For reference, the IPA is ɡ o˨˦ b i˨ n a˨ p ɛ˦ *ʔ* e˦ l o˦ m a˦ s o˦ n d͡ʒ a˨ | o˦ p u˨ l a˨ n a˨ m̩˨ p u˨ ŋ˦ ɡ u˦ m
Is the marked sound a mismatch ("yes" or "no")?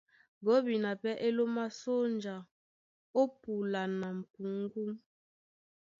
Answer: no